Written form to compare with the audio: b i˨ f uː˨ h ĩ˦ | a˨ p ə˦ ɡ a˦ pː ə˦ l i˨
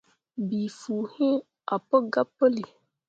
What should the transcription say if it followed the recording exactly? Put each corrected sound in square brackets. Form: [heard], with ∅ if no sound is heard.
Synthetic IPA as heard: b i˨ f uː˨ h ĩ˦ | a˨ p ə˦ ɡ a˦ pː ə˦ l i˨